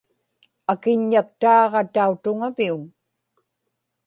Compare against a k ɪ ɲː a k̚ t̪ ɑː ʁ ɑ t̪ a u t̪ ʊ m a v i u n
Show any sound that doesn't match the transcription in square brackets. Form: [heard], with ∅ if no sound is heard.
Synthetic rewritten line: a k ɪ ɲː a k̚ t̪ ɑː ʁ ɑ t̪ a u t̪ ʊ [ŋ] a v i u n